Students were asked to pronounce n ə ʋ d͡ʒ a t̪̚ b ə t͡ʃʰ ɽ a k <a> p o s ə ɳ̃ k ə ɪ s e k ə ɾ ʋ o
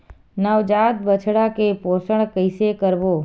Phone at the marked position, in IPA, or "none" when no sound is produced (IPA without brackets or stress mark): e